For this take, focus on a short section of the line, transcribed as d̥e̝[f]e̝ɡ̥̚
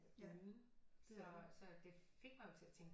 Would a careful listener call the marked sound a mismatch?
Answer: no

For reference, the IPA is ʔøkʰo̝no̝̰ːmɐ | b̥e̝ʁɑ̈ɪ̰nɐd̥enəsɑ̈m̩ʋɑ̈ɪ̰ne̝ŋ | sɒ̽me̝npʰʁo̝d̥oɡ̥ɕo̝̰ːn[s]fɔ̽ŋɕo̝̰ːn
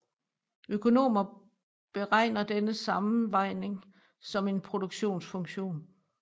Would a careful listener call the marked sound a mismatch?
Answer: no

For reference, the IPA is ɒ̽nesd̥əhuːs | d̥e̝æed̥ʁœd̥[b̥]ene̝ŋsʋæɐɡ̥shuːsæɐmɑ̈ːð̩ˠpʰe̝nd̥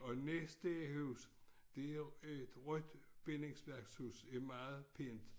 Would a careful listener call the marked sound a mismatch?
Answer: no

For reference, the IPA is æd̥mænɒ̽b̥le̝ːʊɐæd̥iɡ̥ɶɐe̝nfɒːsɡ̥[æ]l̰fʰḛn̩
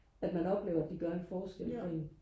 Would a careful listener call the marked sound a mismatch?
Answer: yes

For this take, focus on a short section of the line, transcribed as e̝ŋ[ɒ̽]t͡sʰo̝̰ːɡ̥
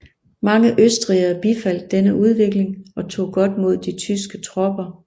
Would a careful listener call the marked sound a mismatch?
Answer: no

